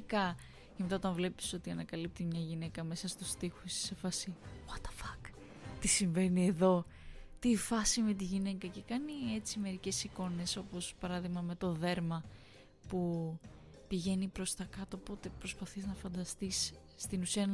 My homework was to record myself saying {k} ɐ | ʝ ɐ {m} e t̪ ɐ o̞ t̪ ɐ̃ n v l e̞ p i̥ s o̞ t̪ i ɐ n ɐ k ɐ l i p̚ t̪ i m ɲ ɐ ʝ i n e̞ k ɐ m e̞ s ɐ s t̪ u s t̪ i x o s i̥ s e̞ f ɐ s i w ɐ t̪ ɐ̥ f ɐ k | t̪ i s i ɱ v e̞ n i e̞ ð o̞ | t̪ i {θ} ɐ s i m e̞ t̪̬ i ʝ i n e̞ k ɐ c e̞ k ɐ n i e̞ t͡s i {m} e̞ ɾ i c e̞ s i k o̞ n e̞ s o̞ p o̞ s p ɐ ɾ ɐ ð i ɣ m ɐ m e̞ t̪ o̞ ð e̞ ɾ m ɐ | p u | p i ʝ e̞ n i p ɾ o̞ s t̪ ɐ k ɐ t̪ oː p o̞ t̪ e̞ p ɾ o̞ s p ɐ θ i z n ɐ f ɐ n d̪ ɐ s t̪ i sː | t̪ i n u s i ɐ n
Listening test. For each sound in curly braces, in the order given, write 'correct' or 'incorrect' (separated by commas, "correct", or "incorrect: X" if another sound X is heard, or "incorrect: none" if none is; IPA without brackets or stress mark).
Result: correct, correct, incorrect: f, correct